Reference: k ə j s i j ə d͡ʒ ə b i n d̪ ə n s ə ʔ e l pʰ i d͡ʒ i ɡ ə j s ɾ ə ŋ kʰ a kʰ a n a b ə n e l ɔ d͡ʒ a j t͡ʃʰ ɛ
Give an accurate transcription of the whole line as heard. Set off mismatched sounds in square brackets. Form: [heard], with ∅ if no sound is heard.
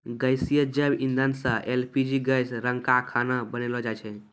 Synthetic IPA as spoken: [ɡ] ə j s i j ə d͡ʒ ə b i n d̪ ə n s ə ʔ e l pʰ i d͡ʒ i ɡ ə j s ɾ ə ŋ [k] a kʰ a n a b ə n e l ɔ d͡ʒ a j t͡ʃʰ ɛ

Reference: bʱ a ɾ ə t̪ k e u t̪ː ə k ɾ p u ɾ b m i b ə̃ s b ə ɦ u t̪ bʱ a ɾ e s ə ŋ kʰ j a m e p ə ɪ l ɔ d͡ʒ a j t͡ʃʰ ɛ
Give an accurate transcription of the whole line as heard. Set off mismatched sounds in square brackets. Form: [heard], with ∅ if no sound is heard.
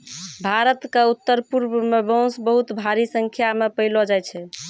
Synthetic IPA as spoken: bʱ a ɾ ə t̪ k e u t̪ː ə [∅] ɾ p u ɾ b m [e] b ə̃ s b ə ɦ u t̪ bʱ a ɾ [i] s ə ŋ kʰ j a m e p ə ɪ l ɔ d͡ʒ a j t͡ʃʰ ɛ

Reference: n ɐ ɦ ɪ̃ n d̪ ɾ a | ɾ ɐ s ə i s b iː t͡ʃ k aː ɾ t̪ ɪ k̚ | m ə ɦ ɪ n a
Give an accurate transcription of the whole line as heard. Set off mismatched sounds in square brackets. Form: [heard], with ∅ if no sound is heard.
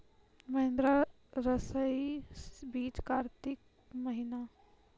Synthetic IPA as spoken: [m] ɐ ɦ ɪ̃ n d̪ ɾ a | ɾ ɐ s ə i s b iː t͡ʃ k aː ɾ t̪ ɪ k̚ | m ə ɦ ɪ n a

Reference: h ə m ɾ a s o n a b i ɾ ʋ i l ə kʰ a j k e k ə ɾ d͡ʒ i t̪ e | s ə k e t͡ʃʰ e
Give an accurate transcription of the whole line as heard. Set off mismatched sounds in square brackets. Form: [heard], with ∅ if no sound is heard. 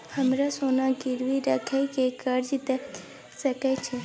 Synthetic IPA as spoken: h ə m ɾ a s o n a [ɡ] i ɾ ʋ i [ɾ] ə kʰ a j k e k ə ɾ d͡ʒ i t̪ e | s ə k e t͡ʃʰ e

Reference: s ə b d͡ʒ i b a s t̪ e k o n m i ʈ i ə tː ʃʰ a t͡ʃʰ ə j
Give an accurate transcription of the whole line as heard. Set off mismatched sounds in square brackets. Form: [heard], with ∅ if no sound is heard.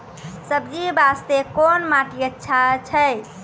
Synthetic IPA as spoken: s ə b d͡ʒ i b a s t̪ e k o n m [a] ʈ i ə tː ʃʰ a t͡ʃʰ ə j

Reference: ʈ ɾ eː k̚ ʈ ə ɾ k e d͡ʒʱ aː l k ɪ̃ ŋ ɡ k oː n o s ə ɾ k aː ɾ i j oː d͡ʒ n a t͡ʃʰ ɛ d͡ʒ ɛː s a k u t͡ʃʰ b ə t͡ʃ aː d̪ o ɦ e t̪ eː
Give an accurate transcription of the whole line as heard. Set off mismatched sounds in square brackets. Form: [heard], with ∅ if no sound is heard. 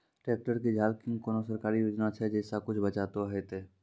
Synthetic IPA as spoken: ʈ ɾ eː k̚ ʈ ə ɾ k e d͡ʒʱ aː l k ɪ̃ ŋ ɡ k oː n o s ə ɾ k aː ɾ i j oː d͡ʒ n a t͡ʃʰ ɛ d͡ʒ ɛː s a k [ʊ] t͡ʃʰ b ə t͡ʃ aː [t̪] o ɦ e t̪ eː

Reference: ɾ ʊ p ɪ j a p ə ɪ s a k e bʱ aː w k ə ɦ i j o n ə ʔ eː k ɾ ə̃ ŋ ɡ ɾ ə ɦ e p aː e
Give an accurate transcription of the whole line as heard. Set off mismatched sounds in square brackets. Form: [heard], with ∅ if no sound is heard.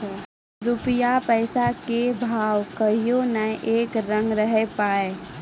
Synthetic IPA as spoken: ɾ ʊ p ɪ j a p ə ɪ s a k e bʱ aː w k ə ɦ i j o n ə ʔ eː k ɾ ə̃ ŋ ɡ ɾ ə ɦ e p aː e

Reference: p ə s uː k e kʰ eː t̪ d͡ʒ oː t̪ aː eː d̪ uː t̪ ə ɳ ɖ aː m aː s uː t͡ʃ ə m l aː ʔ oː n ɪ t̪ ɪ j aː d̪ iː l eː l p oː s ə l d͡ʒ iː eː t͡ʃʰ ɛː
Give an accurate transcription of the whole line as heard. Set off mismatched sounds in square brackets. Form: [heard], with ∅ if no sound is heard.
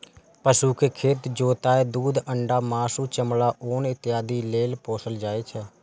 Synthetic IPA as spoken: p ə s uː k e kʰ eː t̪ d͡ʒ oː t̪ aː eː d̪ uː [d̪] ə ɳ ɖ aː m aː s uː t͡ʃ ə m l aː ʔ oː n ɪ t̪ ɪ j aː d̪ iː l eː l p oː s ə l d͡ʒ [aː] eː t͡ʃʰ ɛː

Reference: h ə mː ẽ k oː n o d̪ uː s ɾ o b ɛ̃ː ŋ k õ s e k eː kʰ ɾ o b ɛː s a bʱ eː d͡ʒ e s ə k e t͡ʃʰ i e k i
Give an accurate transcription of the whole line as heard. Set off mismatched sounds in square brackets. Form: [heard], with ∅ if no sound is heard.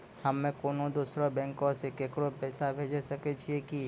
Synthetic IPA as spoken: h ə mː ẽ k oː n o d̪ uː s ɾ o b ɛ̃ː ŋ k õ s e k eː [k] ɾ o [p] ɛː s a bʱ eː d͡ʒ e s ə k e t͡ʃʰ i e k i

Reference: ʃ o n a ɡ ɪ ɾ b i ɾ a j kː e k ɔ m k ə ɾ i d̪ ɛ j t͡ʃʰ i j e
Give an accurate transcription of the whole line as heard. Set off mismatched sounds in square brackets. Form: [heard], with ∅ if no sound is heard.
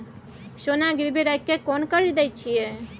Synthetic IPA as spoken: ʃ o n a ɡ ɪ ɾ b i ɾ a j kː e k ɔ [n] k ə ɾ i d̪ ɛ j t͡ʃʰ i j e

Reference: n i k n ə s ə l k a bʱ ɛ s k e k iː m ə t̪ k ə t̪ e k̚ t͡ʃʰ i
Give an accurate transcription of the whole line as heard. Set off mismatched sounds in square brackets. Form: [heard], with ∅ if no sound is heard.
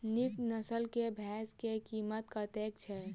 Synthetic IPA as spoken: n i k n ə s ə l k [e] bʱ ɛ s k e k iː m ə t̪ k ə t̪ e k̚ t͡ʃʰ [ɛ]

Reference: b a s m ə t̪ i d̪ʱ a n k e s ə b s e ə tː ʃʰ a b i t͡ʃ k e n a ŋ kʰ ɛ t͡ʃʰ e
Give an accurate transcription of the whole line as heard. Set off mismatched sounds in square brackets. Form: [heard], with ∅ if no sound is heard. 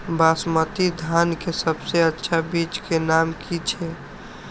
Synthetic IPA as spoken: b a s m ə t̪ i d̪ʱ a n k e s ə b s e ə tː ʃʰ a b i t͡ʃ k e n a [m] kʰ [i] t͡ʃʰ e

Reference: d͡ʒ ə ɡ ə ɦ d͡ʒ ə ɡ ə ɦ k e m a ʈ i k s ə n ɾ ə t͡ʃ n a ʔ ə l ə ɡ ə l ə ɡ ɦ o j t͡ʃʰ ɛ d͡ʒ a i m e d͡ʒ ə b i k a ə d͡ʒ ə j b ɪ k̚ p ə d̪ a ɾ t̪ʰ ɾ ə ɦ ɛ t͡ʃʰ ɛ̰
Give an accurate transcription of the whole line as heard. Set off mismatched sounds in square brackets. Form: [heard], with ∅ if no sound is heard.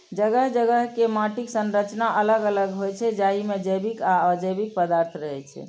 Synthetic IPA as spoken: d͡ʒ ə ɡ ə ɦ d͡ʒ ə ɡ ə ɦ k e m a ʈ i k s ə n ɾ ə t͡ʃ n a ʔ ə l ə ɡ ə l ə ɡ ɦ o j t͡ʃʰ ɛ d͡ʒ a i m e d͡ʒ ə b i k a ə d͡ʒ ə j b [i] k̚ p ə d̪ a ɾ t̪ʰ ɾ ə ɦ ɛ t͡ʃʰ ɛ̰

